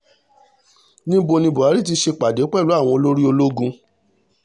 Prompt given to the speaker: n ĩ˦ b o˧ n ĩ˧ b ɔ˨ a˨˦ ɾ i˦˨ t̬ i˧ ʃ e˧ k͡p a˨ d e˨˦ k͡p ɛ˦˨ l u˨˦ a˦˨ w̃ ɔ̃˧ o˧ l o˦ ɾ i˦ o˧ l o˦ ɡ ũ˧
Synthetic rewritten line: n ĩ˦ b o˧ n ĩ˧ b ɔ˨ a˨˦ ɾ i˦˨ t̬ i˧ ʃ e˧ k͡p a˨ d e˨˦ k͡p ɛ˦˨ l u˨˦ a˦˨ w̃ ɔ̃˧ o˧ l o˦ ɾ i˦ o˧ l o˦ ɡ ũ˧